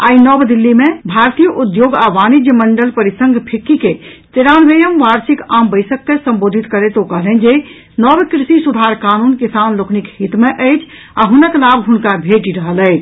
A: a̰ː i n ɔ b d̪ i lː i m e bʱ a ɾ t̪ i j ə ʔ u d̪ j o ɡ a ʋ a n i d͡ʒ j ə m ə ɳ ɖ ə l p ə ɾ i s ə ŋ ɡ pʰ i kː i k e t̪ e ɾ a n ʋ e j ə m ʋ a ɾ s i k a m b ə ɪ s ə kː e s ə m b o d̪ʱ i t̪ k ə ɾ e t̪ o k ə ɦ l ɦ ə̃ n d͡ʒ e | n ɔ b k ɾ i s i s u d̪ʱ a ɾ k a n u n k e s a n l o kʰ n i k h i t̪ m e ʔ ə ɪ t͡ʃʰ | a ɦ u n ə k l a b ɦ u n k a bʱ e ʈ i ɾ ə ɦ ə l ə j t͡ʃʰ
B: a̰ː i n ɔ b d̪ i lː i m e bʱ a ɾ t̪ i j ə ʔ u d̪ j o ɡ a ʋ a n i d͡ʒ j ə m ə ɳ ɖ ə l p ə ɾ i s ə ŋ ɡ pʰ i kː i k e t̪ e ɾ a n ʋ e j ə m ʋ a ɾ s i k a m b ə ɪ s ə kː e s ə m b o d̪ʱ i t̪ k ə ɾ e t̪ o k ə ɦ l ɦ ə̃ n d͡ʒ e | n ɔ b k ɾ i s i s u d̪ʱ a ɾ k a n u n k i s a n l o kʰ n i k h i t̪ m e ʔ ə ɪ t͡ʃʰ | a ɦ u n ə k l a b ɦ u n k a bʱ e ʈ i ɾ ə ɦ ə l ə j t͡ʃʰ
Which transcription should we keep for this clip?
B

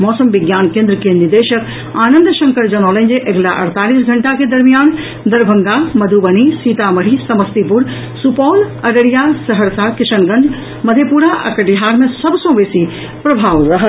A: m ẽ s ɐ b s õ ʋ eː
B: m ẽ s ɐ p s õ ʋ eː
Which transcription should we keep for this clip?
A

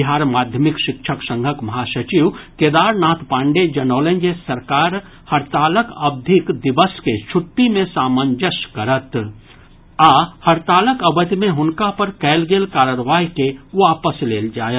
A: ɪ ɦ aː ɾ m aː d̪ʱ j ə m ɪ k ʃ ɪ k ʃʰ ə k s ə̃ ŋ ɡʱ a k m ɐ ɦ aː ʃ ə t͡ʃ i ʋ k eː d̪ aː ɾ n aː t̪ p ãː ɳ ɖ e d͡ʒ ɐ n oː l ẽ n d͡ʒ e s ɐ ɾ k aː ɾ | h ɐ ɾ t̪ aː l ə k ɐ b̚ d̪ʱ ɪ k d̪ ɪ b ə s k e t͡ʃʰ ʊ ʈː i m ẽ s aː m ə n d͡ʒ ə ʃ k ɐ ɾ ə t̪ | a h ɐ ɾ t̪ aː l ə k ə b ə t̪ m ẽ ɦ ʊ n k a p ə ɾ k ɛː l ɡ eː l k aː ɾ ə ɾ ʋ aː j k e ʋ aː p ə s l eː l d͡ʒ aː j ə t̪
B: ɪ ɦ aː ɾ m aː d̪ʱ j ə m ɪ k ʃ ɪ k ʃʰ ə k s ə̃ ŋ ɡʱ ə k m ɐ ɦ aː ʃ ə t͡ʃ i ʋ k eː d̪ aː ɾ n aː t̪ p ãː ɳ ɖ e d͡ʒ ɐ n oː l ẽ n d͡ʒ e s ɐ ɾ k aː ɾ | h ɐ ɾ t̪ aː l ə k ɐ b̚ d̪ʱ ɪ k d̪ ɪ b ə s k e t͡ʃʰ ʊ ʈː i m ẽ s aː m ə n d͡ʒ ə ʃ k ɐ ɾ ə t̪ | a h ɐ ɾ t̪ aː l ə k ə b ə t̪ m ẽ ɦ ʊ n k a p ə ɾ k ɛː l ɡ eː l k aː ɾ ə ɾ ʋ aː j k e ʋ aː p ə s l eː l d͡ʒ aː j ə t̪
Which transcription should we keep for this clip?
B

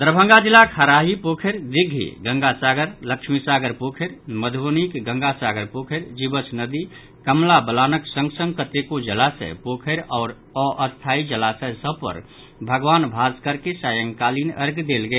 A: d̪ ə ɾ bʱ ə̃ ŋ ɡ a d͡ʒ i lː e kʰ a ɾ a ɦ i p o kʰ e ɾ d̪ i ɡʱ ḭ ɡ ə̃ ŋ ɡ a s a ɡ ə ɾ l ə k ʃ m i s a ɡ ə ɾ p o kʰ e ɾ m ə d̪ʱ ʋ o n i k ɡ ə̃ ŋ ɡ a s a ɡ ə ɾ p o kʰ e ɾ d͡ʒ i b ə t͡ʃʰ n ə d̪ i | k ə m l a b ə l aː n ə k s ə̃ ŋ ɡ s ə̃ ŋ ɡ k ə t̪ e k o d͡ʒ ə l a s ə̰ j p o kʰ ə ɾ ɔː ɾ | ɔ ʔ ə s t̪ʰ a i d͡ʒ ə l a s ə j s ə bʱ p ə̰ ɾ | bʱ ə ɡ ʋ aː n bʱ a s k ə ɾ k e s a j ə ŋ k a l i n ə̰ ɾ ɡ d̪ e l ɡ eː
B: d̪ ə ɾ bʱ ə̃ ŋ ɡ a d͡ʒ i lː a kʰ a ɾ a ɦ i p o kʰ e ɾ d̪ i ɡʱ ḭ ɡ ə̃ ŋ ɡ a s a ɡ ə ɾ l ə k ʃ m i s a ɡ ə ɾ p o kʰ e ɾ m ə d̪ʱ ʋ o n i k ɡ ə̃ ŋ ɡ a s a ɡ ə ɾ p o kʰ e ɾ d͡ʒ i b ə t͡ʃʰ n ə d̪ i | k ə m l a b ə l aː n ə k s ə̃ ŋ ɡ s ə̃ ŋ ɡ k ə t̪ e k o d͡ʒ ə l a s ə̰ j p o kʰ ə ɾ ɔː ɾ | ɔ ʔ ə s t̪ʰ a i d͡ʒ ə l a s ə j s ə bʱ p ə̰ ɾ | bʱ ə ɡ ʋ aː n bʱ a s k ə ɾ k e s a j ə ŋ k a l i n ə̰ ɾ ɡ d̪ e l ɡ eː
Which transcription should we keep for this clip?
B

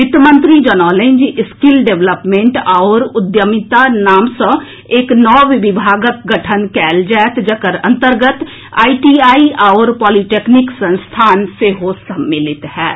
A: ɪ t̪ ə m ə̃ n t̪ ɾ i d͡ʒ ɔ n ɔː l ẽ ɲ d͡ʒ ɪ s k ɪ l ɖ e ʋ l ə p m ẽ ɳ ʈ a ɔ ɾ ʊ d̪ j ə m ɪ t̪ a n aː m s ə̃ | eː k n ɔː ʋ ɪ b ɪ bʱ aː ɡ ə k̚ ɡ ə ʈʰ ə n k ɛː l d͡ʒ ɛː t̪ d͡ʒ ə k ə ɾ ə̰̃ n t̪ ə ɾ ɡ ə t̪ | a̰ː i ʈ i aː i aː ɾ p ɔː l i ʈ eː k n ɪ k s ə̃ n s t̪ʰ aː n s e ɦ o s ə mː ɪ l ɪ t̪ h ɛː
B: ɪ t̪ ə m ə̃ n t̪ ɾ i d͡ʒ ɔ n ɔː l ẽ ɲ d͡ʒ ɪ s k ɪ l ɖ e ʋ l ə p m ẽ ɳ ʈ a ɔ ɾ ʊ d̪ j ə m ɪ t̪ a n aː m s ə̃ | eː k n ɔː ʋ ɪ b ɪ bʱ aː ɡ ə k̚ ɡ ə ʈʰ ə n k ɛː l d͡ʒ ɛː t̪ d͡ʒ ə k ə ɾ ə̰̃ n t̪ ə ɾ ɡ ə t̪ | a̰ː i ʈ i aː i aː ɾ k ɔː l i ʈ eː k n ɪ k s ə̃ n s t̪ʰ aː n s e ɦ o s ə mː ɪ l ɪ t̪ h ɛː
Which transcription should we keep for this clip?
A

